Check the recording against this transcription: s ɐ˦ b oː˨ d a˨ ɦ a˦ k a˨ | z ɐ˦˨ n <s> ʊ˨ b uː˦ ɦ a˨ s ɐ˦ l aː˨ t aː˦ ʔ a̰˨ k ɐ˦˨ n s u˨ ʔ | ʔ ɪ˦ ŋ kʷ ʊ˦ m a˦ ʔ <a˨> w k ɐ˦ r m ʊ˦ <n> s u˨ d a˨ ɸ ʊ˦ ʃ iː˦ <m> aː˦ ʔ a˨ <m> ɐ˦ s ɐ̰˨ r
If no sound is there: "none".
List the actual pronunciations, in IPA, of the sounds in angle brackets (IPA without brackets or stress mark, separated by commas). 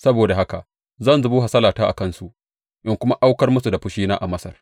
z, a˦, none, n, m